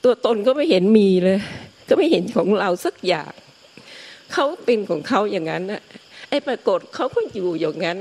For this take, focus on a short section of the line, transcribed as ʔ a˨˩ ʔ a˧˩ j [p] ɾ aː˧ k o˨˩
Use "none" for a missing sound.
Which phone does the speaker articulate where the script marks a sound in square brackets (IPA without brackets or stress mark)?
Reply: p